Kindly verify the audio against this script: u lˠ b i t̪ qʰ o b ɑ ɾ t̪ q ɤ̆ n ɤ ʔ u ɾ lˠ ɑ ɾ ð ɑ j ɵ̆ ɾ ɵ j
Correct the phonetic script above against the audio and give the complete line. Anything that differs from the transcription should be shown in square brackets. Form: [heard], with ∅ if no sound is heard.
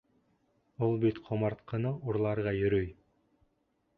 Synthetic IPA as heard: u lˠ b i t̪ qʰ o [m] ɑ ɾ t̪ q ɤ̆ n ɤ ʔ u ɾ lˠ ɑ ɾ [ʁ] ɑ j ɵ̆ ɾ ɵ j